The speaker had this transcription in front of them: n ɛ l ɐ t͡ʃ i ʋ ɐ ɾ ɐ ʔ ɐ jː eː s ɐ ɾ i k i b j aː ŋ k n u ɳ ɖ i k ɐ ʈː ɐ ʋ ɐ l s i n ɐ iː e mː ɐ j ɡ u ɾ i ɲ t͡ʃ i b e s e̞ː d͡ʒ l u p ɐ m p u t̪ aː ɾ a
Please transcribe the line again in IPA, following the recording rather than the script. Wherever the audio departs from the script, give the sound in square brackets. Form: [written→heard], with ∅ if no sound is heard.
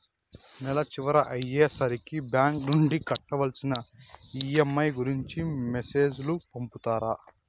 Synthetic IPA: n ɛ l ɐ t͡ʃ i ʋ ɐ ɾ ɐ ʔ ɐ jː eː s ɐ ɾ i k i b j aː ŋ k n u ɳ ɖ i k ɐ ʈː ɐ ʋ ɐ l s i n ɐ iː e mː ɐ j ɡ u ɾ i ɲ t͡ʃ i [b→m] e s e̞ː d͡ʒ l u p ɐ m p u t̪ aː ɾ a

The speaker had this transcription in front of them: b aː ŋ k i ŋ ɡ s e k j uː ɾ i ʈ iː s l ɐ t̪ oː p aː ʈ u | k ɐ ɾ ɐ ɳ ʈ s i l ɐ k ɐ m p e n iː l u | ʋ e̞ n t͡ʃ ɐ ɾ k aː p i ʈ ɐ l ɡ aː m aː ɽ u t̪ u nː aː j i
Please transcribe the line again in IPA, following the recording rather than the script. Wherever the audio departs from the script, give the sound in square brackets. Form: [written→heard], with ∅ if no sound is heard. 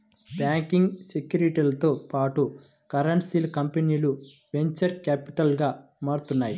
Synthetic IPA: b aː ŋ k i ŋ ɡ s e k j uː ɾ i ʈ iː [s→∅] l ɐ t̪ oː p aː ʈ u | k ɐ ɾ ɐ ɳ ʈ s i l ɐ k ɐ m p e n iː l u | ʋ e̞ [n→ɲ] t͡ʃ ɐ ɾ k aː p i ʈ ɐ l ɡ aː m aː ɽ u t̪ u nː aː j i

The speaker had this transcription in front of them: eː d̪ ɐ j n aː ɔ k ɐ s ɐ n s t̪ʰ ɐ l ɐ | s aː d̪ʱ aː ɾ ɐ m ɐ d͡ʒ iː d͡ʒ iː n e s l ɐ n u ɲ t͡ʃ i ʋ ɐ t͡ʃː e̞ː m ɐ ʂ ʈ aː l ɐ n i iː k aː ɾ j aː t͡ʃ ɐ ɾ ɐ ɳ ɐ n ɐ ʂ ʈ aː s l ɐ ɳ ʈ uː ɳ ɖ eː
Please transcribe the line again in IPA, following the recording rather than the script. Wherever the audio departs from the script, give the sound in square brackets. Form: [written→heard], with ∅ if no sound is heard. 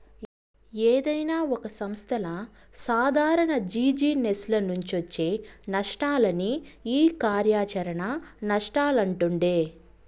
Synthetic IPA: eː d̪ ɐ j n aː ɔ k ɐ s ɐ [n→m] s t̪ʰ ɐ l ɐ | s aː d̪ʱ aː ɾ ɐ [m→ɳ] ɐ d͡ʒ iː d͡ʒ iː n e s l ɐ n u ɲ t͡ʃ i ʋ ɐ t͡ʃː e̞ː [m→n] ɐ ʂ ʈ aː l ɐ n i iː k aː ɾ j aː t͡ʃ ɐ ɾ ɐ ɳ ɐ n ɐ ʂ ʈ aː [s→∅] l ɐ ɳ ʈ [uː→u] ɳ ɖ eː

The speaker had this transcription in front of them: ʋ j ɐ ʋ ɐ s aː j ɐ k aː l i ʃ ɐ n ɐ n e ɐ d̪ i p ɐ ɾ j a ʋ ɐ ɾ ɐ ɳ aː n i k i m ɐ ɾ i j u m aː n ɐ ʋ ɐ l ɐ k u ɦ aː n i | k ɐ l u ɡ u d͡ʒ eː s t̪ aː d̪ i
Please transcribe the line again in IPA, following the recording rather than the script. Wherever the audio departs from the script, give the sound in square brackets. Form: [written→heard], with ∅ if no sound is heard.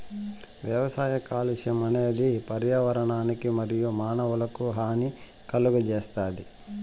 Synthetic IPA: ʋ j ɐ ʋ ɐ s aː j ɐ k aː l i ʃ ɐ [n→m] ɐ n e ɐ d̪ i p ɐ ɾ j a ʋ ɐ ɾ ɐ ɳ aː n i k i m ɐ ɾ i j u m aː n ɐ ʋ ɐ l ɐ k u ɦ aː n i | k ɐ l u ɡ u d͡ʒ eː s t̪ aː d̪ i

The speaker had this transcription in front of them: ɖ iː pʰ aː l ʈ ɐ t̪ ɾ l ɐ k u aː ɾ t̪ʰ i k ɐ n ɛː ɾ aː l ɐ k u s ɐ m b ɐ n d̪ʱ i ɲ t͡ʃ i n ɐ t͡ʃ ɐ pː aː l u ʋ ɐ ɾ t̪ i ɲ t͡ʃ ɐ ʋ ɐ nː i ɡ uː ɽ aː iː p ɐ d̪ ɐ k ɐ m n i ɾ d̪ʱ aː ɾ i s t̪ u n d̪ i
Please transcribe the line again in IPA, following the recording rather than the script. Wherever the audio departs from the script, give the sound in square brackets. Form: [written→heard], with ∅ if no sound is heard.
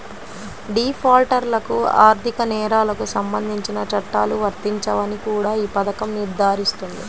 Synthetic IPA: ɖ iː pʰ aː l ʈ ɐ [t̪→∅] ɾ l ɐ k u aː ɾ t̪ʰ i k ɐ n ɛː ɾ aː l ɐ k u s ɐ m b ɐ n d̪ʱ i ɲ t͡ʃ i n ɐ t͡ʃ ɐ [pː→ʈː] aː l u ʋ ɐ ɾ t̪ i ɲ t͡ʃ ɐ ʋ ɐ [nː→n] i [ɡ→k] uː ɽ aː iː p ɐ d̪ ɐ k ɐ m n i ɾ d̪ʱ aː ɾ i s t̪ u n d̪ i

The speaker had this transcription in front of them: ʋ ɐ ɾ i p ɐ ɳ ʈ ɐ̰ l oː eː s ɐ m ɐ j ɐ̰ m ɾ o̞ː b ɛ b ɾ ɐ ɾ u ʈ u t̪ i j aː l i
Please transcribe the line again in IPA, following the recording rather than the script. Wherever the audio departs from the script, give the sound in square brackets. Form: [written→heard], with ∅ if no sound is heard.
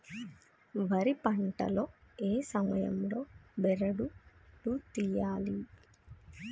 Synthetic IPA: ʋ ɐ ɾ i p ɐ ɳ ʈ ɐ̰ l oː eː s ɐ m ɐ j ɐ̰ m [ɾ→l] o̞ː b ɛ [b→∅] ɾ ɐ [ɾ→ɽ] u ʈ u t̪ i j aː l i

